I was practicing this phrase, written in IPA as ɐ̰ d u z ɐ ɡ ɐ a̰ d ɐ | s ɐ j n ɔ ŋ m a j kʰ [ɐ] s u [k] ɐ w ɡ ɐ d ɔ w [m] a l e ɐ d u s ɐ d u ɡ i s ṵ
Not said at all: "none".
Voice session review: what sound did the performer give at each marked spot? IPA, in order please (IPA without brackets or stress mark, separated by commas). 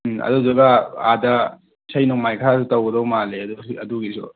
a, t, m